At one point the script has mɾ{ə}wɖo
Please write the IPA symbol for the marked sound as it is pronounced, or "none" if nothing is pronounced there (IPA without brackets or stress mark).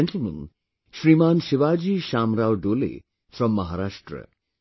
a